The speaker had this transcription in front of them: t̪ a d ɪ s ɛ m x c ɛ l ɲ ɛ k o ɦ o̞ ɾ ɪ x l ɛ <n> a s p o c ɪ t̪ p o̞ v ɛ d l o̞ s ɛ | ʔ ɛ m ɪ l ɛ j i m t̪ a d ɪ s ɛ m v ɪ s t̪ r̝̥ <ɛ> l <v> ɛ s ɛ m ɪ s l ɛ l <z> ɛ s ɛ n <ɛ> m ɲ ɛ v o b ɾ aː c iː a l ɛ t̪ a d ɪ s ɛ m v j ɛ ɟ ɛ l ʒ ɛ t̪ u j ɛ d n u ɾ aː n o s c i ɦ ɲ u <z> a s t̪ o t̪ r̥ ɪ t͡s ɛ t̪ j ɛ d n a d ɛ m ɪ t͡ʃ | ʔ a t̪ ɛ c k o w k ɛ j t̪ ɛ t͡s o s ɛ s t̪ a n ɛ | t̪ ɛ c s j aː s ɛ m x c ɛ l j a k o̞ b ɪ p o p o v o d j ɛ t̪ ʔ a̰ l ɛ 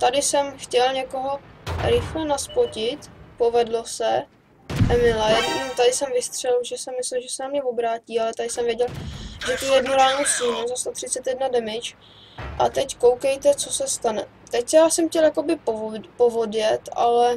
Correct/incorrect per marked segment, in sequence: correct, correct, incorrect, incorrect, incorrect, correct

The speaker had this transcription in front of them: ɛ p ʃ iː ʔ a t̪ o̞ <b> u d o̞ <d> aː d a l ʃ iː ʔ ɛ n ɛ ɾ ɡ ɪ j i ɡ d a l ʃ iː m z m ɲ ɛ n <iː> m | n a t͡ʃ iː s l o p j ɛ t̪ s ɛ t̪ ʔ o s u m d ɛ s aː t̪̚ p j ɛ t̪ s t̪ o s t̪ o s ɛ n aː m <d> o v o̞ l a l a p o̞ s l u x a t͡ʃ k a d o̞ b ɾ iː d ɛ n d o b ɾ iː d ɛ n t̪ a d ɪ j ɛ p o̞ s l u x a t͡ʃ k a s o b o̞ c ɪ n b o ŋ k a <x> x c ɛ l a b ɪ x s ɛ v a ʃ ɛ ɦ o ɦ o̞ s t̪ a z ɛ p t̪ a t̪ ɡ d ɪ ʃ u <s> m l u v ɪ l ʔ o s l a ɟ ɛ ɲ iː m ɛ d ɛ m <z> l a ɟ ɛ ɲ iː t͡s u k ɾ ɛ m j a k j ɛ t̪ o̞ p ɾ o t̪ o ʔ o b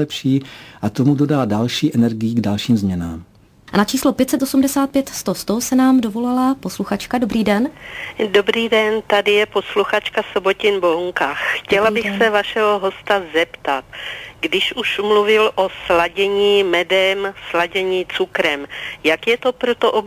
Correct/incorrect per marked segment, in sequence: incorrect, correct, incorrect, correct, correct, incorrect, incorrect

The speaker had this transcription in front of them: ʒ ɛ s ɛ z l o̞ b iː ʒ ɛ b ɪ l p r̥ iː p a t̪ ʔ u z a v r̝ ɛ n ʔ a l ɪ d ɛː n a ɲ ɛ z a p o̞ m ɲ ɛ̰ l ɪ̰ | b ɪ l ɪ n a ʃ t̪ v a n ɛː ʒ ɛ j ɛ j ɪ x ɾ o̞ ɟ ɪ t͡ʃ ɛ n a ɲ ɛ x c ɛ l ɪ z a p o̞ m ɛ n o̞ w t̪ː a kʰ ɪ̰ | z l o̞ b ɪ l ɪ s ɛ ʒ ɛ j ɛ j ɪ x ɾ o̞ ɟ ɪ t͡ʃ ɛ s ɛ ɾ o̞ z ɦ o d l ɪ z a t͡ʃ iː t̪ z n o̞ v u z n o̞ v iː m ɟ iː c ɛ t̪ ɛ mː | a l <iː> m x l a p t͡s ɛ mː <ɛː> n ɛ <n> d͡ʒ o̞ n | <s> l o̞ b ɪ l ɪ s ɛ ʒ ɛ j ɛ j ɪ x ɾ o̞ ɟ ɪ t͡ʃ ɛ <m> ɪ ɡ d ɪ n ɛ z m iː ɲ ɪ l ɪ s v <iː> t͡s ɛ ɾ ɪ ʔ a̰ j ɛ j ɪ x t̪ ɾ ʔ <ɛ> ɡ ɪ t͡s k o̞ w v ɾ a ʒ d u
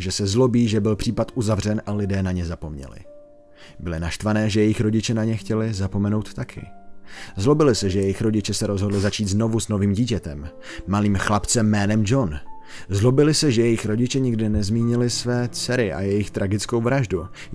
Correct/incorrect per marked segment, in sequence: correct, correct, incorrect, incorrect, incorrect, incorrect, incorrect

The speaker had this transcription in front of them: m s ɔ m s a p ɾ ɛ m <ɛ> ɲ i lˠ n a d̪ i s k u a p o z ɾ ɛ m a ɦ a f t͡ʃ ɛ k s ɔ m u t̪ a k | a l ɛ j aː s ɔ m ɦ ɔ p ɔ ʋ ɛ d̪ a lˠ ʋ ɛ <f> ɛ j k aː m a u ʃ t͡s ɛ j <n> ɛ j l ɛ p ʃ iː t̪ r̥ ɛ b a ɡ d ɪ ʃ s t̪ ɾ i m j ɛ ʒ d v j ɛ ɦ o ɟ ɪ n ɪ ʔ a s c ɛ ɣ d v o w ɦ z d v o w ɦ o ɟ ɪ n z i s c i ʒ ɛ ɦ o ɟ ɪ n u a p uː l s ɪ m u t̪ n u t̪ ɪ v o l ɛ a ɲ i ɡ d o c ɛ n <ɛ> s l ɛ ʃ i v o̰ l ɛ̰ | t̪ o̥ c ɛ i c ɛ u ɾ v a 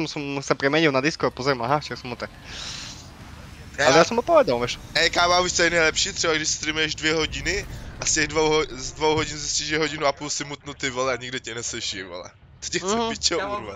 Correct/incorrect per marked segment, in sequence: correct, incorrect, correct, correct

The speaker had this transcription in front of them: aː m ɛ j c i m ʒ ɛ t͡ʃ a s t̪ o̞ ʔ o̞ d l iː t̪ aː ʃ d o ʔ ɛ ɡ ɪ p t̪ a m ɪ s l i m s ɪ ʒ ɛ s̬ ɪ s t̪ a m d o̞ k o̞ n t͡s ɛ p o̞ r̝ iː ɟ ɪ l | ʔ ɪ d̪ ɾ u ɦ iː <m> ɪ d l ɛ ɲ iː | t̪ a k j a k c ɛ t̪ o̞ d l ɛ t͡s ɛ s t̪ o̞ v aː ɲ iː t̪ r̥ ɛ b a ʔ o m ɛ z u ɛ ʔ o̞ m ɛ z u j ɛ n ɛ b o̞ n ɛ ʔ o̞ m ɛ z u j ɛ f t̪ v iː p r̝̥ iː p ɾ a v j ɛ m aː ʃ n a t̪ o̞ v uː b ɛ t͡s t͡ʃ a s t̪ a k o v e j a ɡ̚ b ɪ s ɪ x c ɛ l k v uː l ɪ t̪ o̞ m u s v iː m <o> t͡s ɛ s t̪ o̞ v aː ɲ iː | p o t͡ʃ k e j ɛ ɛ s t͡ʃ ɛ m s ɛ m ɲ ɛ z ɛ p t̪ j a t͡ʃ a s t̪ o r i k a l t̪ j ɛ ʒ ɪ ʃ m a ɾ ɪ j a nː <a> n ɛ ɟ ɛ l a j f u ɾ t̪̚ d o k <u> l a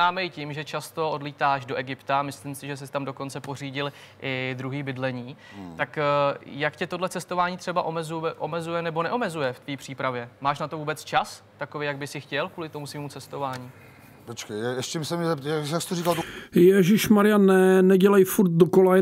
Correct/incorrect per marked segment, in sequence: incorrect, incorrect, incorrect, incorrect

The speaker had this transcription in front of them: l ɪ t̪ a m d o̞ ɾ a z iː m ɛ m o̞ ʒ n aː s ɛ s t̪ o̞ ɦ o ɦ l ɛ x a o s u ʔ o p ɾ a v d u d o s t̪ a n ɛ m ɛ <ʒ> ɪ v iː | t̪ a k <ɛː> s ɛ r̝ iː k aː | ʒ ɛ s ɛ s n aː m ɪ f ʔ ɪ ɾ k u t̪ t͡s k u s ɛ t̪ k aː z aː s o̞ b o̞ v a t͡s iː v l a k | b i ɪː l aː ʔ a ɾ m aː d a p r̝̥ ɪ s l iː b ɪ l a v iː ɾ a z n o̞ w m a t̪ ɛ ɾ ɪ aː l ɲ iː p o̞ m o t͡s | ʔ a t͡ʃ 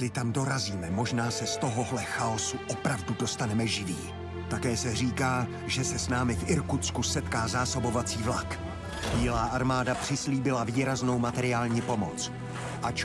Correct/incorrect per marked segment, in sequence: correct, correct

